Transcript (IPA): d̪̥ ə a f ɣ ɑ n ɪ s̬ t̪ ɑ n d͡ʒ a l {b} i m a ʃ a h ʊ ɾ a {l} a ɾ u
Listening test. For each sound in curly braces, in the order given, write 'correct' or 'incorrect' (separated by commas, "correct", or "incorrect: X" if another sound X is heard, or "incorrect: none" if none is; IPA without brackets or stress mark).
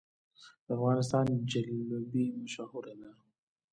correct, correct